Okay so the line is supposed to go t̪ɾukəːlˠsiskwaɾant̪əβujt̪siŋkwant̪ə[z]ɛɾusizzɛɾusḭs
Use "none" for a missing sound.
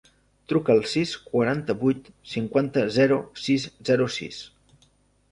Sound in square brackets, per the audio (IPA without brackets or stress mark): z